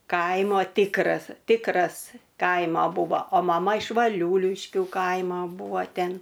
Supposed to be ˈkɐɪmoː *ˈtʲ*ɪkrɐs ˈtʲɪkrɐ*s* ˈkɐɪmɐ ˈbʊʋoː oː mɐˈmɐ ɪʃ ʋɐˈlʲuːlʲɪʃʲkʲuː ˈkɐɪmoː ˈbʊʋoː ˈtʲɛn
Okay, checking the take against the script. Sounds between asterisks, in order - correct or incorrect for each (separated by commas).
correct, correct